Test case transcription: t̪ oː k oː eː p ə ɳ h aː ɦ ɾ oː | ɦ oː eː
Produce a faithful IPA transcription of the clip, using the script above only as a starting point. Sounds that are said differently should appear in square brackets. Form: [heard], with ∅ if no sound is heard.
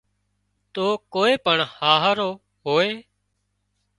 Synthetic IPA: t̪ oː k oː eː p ə ɳ h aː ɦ ɾ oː | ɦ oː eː